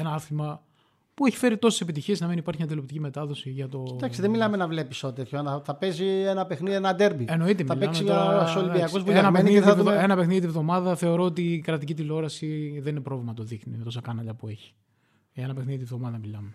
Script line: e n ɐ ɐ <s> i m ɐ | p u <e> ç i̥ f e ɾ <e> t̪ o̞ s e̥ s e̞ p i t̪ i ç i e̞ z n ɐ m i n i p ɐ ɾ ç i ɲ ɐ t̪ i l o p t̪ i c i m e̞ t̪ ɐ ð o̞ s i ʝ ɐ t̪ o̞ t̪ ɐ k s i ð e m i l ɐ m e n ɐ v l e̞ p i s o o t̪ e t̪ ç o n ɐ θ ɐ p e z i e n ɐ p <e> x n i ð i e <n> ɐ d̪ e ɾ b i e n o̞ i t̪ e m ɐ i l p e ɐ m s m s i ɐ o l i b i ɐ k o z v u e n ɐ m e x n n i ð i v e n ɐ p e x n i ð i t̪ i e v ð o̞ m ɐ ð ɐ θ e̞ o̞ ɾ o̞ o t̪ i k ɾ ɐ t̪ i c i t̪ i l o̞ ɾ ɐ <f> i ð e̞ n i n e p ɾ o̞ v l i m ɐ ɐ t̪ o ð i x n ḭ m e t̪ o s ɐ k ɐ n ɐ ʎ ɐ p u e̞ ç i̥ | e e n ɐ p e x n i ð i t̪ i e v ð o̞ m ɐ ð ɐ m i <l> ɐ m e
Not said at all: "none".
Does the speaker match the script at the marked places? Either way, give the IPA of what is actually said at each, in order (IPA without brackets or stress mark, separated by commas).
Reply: θ, e, i, e, n, s, l